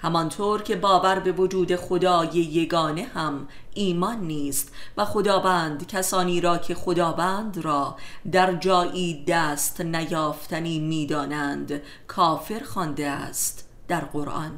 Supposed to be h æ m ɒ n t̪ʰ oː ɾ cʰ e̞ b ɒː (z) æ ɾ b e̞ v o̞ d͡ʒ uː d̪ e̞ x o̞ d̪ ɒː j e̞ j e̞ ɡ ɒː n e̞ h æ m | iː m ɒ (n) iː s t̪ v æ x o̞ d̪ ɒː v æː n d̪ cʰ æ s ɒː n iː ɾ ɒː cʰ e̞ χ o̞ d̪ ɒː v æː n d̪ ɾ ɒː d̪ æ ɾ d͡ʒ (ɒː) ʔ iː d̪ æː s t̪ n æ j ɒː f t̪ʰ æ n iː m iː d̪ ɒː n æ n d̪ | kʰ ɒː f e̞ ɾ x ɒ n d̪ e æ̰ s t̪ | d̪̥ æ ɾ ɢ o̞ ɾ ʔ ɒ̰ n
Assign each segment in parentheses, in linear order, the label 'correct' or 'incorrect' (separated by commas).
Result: incorrect, incorrect, correct